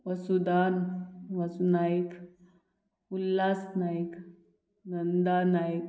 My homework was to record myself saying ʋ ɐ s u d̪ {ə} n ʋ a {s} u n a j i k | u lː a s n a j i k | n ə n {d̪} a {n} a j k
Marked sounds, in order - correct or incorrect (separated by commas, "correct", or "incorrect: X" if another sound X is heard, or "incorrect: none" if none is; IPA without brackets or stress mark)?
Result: incorrect: a, correct, correct, correct